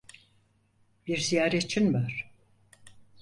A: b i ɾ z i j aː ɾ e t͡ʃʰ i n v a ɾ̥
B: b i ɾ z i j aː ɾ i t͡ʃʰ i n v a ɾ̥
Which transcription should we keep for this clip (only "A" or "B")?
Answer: A